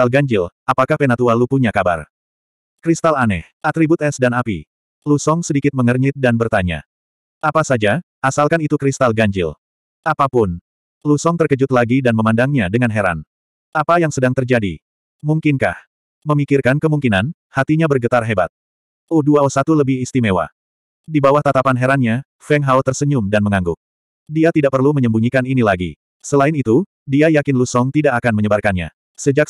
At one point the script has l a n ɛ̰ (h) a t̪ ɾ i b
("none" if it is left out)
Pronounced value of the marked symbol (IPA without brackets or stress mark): h